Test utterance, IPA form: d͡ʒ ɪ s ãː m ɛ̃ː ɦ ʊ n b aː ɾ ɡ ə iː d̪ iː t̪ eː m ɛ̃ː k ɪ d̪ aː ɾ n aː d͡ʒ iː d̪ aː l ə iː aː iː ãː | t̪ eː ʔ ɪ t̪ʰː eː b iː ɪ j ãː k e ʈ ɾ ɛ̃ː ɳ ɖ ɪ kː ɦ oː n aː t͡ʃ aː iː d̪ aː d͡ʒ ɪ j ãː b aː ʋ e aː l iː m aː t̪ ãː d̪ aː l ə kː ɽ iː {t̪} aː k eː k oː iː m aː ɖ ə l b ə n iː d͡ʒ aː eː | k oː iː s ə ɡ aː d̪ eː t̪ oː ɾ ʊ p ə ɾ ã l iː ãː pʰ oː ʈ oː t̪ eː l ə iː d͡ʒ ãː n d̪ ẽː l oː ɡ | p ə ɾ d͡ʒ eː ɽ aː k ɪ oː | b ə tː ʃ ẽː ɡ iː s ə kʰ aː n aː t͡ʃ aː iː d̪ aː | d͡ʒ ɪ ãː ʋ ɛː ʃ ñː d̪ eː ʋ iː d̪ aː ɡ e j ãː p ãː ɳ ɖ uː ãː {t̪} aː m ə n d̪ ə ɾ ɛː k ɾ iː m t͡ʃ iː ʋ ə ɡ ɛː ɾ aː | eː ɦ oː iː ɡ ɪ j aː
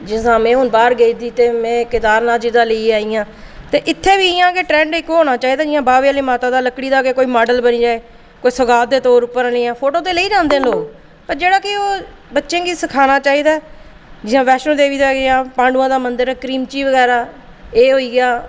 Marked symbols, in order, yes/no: no, no

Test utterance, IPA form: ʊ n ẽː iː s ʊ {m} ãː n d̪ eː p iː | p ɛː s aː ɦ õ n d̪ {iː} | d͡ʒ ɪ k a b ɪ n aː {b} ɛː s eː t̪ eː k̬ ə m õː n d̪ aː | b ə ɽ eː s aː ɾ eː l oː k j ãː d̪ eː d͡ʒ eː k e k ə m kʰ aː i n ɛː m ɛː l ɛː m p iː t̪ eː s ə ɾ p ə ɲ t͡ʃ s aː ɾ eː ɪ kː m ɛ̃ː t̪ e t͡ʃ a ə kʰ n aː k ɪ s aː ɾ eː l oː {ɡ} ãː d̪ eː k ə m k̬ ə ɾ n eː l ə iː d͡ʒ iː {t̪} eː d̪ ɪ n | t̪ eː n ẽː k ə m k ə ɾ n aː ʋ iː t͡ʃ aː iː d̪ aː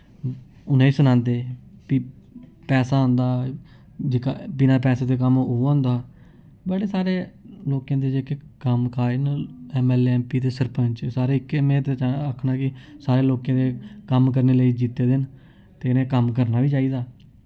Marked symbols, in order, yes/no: no, no, no, no, yes

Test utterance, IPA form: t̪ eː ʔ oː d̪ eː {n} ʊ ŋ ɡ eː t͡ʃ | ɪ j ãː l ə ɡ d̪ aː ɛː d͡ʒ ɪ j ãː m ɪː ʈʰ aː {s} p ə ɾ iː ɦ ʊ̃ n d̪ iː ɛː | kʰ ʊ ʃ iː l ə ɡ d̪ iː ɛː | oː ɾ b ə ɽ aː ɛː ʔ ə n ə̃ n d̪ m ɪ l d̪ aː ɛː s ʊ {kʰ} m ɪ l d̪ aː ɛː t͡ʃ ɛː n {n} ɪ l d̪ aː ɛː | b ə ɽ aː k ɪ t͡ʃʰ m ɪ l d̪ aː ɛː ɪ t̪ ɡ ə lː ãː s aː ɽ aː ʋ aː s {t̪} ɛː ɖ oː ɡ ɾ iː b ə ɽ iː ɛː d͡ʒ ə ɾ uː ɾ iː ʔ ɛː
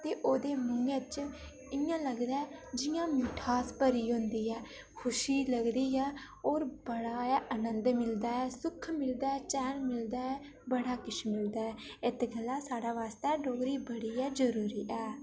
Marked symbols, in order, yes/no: no, yes, yes, no, yes

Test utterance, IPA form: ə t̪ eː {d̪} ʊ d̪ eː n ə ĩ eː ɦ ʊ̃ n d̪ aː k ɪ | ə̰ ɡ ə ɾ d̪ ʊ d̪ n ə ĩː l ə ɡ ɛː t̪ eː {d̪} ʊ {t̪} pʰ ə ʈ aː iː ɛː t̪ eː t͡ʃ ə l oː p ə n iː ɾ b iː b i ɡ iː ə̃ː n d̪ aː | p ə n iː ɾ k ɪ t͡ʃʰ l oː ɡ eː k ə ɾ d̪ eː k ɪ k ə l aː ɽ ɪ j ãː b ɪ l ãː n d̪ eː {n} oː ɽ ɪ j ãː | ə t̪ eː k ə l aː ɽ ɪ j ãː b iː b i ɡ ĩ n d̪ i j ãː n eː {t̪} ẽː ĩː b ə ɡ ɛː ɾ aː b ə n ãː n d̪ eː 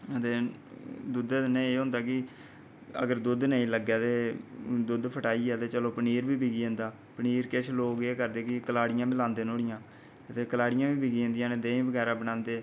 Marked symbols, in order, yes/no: yes, yes, no, yes, no

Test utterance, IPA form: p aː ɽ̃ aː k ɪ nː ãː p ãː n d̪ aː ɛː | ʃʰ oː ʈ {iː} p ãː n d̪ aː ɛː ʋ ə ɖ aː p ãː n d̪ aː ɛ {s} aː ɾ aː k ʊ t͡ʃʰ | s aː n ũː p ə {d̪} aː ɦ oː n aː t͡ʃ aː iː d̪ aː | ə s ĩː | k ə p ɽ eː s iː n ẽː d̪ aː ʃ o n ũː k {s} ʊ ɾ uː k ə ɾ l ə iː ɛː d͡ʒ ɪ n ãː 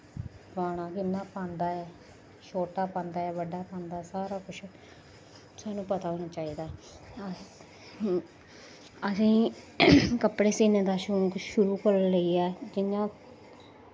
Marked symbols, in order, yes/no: no, yes, no, no

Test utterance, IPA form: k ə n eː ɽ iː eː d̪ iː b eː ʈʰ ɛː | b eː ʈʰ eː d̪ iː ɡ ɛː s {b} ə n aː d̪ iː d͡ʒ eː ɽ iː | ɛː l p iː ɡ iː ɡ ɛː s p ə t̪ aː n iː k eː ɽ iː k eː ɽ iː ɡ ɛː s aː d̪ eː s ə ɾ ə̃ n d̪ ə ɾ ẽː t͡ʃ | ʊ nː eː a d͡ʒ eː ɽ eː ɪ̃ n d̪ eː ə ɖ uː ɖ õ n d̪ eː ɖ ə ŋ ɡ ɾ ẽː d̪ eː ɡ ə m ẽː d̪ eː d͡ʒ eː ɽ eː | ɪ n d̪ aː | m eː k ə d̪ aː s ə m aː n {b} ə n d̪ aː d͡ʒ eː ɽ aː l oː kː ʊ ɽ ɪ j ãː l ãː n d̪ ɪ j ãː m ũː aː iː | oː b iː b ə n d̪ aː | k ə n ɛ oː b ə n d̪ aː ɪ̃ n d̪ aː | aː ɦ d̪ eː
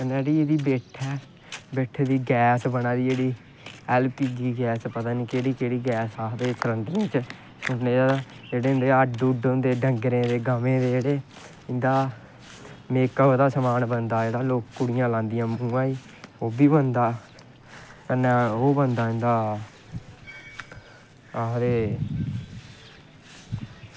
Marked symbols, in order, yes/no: yes, yes

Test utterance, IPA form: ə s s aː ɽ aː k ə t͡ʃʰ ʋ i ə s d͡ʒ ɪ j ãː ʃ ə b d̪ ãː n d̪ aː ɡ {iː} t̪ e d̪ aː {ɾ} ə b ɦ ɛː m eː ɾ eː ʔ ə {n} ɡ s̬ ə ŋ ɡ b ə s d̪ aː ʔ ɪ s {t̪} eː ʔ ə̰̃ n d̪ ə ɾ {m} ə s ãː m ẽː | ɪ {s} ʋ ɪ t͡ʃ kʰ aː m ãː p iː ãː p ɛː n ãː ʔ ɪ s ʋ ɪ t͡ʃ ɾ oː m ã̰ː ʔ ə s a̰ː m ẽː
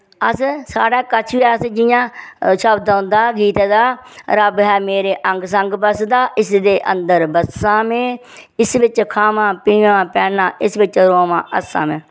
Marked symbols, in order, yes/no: yes, yes, no, no, no, yes

